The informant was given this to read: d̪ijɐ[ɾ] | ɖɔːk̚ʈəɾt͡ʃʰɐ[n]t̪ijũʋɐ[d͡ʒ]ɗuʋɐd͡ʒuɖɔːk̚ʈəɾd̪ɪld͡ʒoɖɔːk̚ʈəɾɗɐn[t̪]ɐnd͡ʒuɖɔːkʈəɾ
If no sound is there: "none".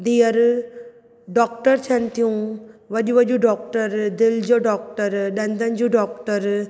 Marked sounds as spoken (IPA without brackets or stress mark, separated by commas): ɾ, n, none, d̪